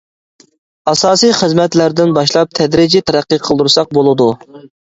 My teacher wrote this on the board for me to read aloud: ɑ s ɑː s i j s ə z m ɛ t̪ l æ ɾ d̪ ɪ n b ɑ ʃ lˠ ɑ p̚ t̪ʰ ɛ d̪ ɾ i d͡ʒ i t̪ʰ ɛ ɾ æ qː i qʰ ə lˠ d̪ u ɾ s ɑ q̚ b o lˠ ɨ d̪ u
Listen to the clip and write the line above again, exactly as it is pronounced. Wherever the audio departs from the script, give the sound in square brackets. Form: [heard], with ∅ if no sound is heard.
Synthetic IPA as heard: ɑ s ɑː s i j [χ] ə z m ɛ t̪ l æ ɾ d̪ ɪ n b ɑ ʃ lˠ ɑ p̚ t̪ʰ ɛ d̪ ɾ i d͡ʒ i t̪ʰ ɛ ɾ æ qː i qʰ ə lˠ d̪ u ɾ s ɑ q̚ b o lˠ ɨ d̪ u